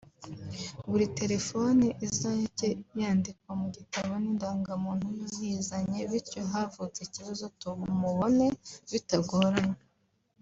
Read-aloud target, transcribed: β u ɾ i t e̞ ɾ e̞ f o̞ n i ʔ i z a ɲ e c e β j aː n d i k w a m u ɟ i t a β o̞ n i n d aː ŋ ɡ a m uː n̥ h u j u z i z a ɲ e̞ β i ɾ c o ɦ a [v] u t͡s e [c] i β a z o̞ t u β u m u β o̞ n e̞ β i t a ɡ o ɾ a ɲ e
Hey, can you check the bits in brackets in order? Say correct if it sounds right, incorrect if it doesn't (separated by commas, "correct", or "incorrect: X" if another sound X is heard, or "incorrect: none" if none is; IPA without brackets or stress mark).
correct, correct